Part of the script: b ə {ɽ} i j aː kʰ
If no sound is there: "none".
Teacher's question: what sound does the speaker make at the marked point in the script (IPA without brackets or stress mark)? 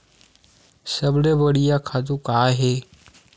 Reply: ɽ